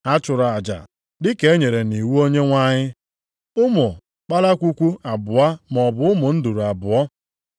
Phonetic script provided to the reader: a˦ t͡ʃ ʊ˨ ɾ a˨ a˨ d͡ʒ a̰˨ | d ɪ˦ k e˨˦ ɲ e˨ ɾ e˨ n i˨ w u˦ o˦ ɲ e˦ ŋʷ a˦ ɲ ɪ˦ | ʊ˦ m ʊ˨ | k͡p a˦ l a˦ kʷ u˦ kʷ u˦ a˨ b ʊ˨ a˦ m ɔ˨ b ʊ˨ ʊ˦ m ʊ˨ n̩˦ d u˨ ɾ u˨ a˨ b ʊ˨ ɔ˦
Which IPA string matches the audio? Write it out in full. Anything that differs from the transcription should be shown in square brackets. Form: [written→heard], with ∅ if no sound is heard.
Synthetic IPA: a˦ t͡ʃ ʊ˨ ɾ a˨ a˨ d͡ʒ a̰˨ | d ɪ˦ k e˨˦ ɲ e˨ ɾ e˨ n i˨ w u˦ o˦ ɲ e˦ ŋʷ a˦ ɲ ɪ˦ | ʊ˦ m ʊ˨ | k͡p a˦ l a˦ kʷ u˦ kʷ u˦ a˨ b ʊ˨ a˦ m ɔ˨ b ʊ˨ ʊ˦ m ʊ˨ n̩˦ d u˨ ɾ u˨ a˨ b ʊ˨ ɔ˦